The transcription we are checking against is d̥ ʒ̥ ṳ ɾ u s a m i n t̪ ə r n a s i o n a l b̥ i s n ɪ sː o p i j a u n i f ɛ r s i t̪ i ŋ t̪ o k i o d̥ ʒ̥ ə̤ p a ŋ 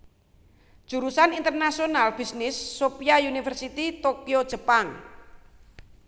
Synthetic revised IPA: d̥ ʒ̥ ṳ ɾ u s a n i n t̪ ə r n a s i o n a l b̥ i s n ɪ sː o p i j a u n i f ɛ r s i t̪ i t̪ o k i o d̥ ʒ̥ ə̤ p a ŋ